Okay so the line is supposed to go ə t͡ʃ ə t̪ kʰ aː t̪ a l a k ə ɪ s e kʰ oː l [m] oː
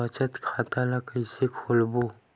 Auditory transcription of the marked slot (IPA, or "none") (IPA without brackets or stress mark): b